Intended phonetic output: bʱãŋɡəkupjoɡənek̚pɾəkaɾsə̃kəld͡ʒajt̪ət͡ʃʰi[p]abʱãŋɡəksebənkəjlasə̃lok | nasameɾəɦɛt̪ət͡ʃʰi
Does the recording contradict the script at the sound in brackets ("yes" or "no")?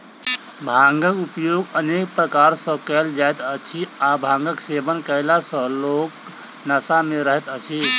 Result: yes